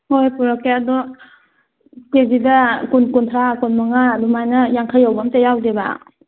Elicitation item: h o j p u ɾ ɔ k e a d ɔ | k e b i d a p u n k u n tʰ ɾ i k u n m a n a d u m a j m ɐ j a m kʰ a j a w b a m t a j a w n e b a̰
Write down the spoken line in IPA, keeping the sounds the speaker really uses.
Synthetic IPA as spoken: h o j p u ɾ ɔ k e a d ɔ | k e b i d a k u n k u n tʰ ɾ a k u n m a ŋ a d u m a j n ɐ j a ŋ kʰ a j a w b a m t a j a w d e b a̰